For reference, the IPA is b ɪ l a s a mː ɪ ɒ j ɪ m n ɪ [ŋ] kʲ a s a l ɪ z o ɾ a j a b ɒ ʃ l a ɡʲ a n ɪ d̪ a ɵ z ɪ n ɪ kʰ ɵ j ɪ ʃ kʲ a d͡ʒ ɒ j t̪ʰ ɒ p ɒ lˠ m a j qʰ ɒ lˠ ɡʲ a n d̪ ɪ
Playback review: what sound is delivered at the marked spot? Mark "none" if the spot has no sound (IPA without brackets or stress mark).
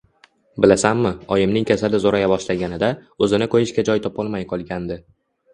ŋ